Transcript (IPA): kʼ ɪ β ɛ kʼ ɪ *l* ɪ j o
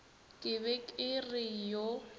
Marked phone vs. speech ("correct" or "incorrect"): incorrect